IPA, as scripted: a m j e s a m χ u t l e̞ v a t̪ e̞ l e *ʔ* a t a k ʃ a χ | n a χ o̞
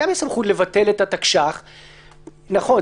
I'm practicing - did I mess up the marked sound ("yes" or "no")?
yes